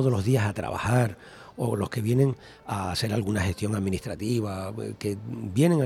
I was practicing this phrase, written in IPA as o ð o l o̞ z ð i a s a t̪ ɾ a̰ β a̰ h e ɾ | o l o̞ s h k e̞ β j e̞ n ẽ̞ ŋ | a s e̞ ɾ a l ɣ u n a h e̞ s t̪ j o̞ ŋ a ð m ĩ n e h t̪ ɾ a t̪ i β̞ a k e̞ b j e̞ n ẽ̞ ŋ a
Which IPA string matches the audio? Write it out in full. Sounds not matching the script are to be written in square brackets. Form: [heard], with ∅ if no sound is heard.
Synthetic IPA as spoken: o ð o l o̞ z ð i a s a t̪ ɾ a̰ β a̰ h [a] ɾ | o l o̞ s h k e̞ β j e̞ n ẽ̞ ŋ | a s e̞ ɾ a l ɣ u n a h e̞ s t̪ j o̞ ŋ a ð m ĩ n [i] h t̪ ɾ a t̪ i β̞ a k e̞ b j e̞ n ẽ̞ ŋ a